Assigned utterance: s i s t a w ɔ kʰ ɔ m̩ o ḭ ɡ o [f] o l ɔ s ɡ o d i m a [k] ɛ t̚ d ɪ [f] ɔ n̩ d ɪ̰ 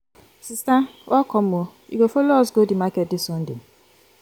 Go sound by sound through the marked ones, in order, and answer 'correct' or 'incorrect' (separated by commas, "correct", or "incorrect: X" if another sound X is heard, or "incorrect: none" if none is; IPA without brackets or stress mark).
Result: correct, correct, incorrect: s